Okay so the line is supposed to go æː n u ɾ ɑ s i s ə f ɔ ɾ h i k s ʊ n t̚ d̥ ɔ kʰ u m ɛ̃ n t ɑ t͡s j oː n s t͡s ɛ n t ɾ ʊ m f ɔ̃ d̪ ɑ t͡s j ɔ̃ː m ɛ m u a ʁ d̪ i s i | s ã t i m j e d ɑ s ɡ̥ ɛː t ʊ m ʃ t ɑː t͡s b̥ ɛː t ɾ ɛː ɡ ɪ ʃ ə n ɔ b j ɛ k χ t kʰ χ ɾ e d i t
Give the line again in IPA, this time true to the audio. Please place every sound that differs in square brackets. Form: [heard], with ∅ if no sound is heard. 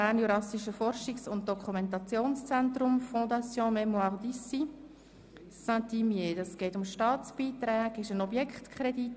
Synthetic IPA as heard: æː n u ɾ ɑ s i [ʃ] ə f ɔ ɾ [ʃ] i k s ʊ n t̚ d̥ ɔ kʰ u m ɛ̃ n t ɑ t͡s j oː n s t͡s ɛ n t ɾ ʊ m f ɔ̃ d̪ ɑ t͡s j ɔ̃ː m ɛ m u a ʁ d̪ i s i | s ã t i m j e d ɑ s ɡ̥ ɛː t ʊ m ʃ t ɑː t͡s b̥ [iː] t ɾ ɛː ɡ ɪ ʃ ə n ɔ b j ɛ k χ t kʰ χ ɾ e d i t